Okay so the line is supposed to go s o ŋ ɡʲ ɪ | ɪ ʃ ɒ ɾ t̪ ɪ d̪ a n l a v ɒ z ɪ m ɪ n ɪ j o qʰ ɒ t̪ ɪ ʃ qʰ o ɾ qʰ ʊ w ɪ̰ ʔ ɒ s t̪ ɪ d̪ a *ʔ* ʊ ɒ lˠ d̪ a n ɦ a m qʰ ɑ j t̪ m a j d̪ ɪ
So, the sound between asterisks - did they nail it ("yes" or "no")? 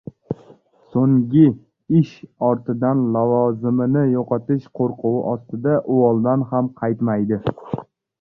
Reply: yes